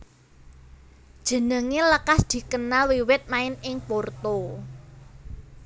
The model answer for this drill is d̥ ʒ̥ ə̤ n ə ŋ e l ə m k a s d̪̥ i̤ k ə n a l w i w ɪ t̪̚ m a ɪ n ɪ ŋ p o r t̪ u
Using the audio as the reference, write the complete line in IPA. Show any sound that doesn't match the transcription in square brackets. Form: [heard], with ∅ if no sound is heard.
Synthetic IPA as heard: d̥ ʒ̥ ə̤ n ə ŋ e l ə [∅] k a s d̪̥ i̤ k ə n a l w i w ɪ t̪̚ m a ɪ n ɪ ŋ p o r t̪ [o]